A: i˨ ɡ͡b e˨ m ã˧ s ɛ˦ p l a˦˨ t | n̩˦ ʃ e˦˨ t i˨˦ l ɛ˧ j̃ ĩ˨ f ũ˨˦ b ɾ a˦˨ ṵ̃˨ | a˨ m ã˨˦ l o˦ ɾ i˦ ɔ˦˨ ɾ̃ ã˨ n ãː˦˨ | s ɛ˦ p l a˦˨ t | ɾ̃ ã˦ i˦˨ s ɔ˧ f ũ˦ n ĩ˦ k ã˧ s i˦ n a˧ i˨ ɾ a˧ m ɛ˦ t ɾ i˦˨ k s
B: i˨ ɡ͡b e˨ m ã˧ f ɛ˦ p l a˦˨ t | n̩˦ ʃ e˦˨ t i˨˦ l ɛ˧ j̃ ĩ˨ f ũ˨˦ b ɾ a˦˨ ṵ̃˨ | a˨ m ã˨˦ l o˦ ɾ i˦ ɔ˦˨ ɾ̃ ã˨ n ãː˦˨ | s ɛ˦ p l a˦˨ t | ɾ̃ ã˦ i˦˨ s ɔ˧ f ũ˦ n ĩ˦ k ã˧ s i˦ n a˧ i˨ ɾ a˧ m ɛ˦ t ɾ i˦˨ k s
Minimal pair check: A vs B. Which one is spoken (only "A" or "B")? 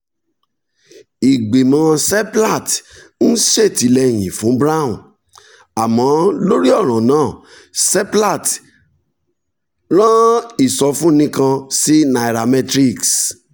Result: A